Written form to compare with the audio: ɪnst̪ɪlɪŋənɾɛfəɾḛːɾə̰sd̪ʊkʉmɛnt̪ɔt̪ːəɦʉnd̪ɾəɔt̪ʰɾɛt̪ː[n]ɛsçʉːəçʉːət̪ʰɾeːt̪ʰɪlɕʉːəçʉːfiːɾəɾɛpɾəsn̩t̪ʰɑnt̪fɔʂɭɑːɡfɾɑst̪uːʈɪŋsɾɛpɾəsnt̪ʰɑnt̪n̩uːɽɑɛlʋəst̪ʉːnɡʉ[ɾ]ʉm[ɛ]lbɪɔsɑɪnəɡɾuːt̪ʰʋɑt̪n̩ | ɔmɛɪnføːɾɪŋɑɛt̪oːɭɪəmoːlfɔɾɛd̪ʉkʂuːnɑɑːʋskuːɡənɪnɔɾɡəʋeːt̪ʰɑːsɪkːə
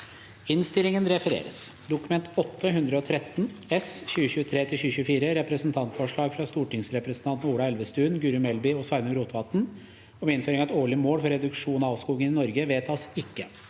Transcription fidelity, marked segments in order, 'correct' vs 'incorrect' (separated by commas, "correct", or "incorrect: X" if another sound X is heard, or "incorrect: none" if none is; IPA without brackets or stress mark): correct, correct, correct